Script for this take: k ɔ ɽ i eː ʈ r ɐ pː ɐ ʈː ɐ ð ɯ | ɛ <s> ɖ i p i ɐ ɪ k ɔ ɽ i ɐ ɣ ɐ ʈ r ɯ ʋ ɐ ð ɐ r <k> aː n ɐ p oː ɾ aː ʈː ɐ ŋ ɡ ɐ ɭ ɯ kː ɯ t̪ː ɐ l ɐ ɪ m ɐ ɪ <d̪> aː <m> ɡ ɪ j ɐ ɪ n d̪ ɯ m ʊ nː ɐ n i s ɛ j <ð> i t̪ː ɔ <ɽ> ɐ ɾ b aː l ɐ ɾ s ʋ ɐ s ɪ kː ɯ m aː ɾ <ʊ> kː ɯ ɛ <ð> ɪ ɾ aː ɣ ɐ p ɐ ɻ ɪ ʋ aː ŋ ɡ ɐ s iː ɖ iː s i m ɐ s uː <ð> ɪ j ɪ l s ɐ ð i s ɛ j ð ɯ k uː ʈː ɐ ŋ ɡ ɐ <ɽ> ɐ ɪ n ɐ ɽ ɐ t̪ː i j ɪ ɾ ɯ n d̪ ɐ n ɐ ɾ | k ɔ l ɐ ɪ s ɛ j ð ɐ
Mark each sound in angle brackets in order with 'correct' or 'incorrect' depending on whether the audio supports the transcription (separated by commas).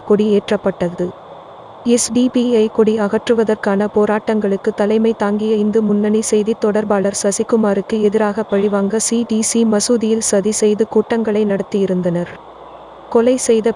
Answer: correct, correct, incorrect, incorrect, correct, correct, incorrect, correct, correct, incorrect